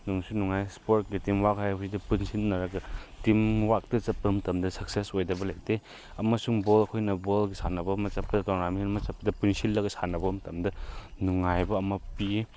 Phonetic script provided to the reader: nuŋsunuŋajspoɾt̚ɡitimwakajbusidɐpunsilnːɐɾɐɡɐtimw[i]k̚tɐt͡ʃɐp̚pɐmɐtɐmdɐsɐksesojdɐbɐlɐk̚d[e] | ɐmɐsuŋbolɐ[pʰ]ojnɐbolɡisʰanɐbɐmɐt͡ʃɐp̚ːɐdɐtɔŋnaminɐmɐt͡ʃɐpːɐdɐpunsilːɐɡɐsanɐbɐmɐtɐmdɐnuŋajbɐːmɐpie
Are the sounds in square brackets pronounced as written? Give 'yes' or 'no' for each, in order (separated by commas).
no, yes, no